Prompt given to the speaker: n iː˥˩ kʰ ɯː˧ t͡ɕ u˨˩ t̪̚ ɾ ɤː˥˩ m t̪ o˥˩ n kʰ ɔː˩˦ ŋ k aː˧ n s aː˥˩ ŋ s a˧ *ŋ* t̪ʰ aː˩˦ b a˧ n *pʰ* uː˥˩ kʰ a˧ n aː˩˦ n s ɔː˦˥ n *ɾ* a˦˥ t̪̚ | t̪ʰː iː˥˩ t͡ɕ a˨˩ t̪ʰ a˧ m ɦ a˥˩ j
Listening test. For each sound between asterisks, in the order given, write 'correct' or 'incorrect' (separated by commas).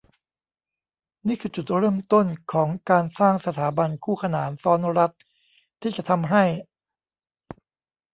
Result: incorrect, incorrect, correct